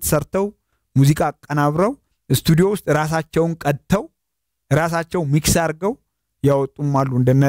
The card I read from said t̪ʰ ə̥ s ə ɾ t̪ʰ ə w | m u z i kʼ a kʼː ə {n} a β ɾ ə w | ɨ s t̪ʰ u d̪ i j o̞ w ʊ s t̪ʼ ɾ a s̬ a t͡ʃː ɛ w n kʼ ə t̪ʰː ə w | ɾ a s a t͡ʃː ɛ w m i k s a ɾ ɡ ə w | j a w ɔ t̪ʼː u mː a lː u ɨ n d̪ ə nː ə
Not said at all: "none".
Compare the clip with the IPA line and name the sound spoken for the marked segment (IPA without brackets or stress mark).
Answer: n